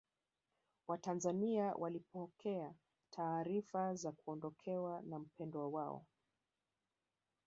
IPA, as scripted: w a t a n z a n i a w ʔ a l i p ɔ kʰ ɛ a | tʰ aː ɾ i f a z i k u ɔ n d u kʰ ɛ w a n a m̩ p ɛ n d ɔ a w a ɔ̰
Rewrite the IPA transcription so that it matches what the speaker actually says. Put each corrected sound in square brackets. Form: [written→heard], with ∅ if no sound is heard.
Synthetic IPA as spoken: w a t a n z a n i a w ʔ a l i p ɔ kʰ ɛ a | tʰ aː ɾ i f a z [i→a] k u ɔ n d [u→ɔ] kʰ ɛ w a n a m̩ p ɛ n d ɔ a w a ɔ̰